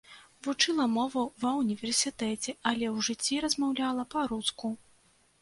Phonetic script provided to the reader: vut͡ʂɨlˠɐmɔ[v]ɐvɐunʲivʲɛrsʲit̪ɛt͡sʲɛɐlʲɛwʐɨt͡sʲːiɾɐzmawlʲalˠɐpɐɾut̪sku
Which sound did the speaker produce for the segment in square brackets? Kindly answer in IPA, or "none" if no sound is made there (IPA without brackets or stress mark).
v